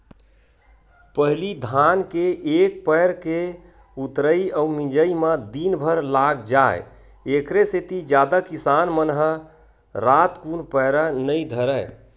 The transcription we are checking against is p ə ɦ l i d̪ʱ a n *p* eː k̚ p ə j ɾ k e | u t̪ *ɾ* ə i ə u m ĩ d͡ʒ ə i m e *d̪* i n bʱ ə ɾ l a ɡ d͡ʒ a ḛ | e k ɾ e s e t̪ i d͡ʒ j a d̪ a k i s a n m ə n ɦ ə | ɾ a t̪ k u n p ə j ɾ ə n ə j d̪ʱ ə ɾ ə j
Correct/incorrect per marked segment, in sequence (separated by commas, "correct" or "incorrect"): incorrect, correct, correct